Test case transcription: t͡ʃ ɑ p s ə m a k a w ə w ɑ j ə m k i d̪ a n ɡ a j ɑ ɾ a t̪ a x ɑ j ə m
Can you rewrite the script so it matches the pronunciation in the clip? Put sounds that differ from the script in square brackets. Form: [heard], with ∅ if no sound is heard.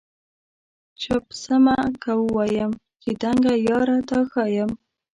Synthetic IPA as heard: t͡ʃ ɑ p s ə m a k a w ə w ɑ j ə m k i d̪ a [ŋ] ɡ a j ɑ ɾ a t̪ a x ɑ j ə m